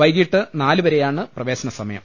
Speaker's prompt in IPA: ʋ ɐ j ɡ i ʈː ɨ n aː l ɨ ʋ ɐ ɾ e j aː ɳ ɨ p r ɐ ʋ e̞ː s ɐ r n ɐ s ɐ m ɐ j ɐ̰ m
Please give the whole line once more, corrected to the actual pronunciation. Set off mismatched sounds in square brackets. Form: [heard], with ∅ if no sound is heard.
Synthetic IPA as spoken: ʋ ɐ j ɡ i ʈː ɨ n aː l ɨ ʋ ɐ ɾ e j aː ɳ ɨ p r ɐ ʋ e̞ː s ɐ [∅] n ɐ s ɐ m ɐ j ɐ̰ m